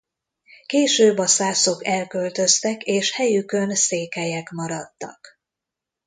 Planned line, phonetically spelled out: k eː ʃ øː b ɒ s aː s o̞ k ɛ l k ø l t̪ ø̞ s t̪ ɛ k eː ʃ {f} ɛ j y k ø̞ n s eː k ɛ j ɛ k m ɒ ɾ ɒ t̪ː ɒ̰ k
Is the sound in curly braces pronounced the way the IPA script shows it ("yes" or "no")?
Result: no